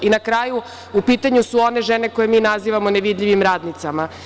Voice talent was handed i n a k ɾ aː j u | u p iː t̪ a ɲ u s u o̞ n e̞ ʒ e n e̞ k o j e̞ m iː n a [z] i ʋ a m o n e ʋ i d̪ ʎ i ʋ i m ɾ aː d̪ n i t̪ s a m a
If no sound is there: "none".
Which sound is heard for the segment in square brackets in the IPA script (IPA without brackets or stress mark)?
z